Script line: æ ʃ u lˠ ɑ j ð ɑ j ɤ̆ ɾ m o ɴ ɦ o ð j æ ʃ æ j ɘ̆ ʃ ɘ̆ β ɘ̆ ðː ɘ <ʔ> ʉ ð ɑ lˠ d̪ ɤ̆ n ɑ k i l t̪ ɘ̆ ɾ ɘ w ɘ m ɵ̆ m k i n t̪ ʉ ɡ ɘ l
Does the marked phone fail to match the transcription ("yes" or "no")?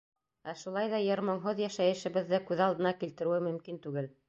yes